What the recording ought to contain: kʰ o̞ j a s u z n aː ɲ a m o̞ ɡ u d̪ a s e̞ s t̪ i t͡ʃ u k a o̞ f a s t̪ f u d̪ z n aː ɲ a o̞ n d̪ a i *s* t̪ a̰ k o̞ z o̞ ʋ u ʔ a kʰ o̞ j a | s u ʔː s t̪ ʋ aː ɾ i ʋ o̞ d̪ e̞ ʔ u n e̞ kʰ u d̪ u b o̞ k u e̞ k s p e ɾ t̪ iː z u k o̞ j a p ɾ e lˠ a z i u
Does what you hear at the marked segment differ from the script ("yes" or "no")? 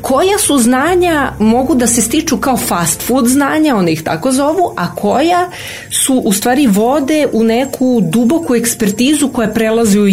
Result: yes